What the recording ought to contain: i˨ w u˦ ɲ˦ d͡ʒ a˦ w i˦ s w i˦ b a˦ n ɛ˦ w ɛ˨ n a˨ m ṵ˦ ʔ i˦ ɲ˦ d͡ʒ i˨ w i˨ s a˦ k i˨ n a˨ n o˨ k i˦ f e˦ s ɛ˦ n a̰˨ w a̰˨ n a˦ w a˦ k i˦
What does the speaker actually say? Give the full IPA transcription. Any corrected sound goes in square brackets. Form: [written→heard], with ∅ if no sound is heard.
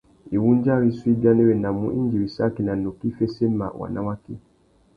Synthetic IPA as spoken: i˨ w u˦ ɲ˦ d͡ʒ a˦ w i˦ s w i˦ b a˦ n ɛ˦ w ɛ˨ n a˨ m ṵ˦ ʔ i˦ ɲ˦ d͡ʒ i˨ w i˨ s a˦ k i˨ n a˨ n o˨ k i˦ f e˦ s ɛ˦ [n→m] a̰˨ w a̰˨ n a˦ w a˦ k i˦